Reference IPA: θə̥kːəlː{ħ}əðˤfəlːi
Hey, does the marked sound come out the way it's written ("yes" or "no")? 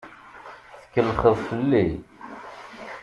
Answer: no